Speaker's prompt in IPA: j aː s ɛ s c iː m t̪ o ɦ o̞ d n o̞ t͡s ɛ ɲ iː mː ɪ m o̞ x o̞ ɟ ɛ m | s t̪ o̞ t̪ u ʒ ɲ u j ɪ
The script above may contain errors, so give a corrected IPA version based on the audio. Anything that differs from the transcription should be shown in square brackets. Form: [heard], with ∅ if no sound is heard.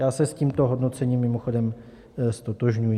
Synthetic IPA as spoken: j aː s ɛ s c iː m t̪ o ɦ o̞ d n o̞ t͡s ɛ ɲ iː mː ɪ m o̞ x o̞ [d] ɛ m | s t̪ o̞ t̪ [o] ʒ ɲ u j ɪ